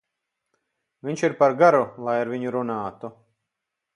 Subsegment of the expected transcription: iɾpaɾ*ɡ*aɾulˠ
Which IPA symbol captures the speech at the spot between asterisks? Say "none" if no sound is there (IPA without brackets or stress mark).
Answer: ɡ